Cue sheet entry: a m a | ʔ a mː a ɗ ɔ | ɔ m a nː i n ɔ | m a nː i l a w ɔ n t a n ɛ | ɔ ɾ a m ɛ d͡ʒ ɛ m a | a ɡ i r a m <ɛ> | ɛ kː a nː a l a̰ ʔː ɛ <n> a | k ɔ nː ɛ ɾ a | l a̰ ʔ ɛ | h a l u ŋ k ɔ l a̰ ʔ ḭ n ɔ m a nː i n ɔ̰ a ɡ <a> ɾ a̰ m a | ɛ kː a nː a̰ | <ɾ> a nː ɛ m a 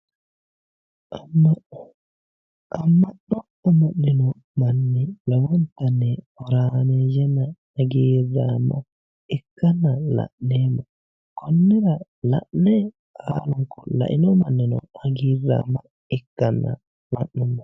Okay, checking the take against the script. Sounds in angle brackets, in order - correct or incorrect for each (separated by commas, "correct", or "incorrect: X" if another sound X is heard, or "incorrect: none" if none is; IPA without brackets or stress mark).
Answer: incorrect: a, incorrect: m, incorrect: i, incorrect: l